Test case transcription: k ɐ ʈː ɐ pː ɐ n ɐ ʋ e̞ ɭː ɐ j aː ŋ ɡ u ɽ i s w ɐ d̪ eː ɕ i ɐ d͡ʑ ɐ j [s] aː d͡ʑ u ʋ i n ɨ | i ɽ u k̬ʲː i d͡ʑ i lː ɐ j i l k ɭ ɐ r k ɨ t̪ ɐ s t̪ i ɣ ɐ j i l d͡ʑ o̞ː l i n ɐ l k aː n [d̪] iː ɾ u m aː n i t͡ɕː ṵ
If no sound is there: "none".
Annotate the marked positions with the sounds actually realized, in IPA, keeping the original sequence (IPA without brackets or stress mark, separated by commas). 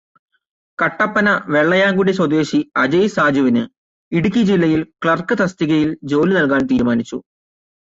s, t̪